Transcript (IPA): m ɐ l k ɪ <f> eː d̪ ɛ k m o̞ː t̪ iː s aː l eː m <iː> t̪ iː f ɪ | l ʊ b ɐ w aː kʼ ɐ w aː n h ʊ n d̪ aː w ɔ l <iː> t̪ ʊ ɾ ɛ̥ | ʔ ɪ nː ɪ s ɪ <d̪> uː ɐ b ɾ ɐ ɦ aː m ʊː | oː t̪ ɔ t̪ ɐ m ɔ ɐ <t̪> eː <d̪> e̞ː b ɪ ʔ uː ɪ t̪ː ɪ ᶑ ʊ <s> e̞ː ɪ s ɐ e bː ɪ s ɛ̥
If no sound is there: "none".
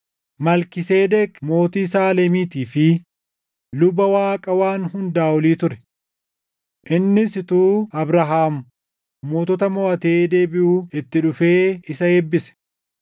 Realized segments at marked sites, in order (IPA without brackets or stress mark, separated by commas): s, iː, iː, t̪, t̪, d̪, f